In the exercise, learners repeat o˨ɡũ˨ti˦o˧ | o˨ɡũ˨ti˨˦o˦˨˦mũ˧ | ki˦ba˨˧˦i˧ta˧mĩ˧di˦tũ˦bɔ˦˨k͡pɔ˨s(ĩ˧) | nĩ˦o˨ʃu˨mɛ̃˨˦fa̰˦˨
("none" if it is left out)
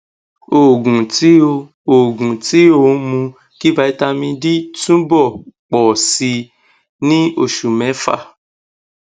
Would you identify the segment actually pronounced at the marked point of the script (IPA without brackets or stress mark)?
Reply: i˧